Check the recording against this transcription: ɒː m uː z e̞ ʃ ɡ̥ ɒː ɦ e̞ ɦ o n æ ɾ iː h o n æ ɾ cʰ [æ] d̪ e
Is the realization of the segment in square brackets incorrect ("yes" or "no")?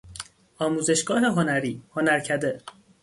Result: no